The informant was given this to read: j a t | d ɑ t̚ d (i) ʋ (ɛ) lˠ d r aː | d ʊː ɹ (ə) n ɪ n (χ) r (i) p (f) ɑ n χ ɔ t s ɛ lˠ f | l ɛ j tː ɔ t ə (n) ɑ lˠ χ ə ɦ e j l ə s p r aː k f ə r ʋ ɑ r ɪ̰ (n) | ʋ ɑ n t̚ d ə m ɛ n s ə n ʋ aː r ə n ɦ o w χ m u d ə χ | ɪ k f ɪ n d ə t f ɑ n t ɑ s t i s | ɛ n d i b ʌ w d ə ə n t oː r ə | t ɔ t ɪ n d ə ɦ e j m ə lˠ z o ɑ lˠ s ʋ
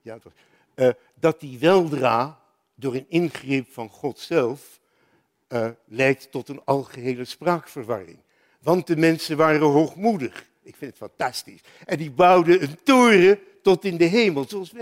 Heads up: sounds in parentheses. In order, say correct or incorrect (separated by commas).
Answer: correct, correct, correct, correct, incorrect, correct, correct, incorrect